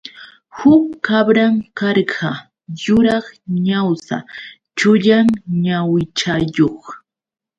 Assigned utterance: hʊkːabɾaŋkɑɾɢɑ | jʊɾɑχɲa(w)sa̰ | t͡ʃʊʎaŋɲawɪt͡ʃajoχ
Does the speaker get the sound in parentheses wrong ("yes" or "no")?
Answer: no